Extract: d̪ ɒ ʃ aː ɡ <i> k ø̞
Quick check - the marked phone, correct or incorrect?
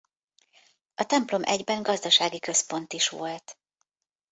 correct